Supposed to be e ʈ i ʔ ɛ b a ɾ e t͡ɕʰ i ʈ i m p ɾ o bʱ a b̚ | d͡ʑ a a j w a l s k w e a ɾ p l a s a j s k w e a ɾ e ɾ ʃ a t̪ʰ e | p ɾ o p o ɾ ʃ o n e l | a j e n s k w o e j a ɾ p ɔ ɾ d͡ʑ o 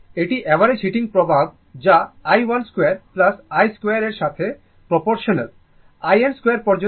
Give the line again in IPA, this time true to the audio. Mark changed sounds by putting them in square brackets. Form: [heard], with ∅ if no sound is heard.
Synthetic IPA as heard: e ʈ i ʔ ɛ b a ɾ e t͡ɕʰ i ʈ i [ŋ] p ɾ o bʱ a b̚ | d͡ʑ a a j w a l s k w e a ɾ p l a s a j s k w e a ɾ e ɾ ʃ a t̪ʰ e | p ɾ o p o ɾ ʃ o n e l | a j e n s k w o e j a ɾ p ɔ ɾ d͡ʑ o